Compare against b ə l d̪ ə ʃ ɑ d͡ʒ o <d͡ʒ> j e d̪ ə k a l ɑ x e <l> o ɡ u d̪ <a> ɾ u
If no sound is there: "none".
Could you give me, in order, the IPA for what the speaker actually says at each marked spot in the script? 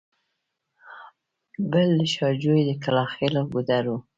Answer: none, l, a

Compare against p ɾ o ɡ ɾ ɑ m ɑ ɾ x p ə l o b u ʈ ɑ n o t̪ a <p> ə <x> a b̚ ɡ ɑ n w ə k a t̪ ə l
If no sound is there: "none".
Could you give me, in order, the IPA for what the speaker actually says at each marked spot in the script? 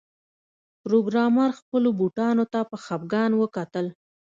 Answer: p, x

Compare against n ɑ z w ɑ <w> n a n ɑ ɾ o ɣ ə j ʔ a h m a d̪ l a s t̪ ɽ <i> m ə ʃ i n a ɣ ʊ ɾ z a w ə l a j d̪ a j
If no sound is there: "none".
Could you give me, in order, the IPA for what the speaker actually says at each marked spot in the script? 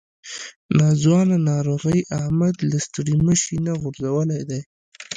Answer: none, i

